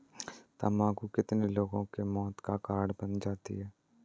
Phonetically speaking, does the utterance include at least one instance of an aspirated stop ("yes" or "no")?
no